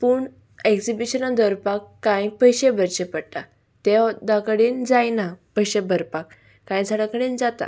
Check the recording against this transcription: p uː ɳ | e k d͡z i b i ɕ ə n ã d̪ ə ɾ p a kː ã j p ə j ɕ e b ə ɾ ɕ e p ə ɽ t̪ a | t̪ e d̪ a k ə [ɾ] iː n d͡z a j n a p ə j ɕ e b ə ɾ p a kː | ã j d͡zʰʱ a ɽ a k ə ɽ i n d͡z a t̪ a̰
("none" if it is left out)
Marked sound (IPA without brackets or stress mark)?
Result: ɽ